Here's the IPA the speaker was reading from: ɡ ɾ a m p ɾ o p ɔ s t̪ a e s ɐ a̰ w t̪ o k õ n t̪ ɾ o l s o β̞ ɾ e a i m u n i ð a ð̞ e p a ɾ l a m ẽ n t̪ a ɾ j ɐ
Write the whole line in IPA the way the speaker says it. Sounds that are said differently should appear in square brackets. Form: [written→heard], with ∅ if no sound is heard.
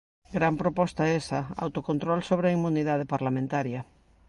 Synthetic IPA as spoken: ɡ ɾ a m p ɾ o p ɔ s t̪ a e s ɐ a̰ w t̪ o k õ n t̪ ɾ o l s o β̞ ɾ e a i m u n i ð a ð̞ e p a ɾ l a m ẽ n t̪ a ɾ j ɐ